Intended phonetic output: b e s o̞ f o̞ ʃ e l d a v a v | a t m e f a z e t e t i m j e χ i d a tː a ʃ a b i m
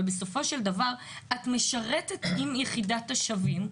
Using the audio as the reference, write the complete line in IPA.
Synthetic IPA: b e s o̞ f o̞ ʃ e l d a v a ʁ | a t m e ʃ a ʁ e t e t i m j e χ i d a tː a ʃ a v i m